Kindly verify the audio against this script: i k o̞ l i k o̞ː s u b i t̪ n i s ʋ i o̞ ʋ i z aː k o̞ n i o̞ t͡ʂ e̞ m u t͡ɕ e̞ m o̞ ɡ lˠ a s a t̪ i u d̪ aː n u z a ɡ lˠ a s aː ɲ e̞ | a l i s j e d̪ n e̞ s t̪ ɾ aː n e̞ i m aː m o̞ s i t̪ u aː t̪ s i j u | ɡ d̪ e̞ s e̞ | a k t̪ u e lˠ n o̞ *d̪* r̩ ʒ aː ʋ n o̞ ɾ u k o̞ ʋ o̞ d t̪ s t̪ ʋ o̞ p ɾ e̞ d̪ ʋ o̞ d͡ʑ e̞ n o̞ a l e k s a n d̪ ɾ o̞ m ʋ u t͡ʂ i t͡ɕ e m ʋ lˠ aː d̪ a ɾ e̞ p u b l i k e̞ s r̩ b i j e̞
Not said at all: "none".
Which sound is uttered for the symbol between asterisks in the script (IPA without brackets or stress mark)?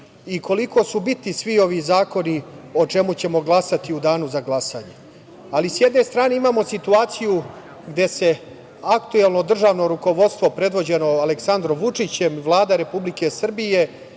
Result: d̪